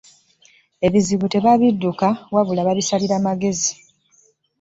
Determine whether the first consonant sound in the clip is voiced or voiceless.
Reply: voiced